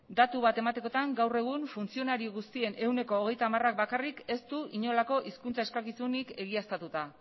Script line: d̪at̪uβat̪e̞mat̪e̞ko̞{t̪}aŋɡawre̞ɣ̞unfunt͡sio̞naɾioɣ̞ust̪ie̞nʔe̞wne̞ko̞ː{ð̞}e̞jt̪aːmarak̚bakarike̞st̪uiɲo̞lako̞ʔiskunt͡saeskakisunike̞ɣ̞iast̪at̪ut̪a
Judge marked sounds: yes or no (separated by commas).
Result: yes, no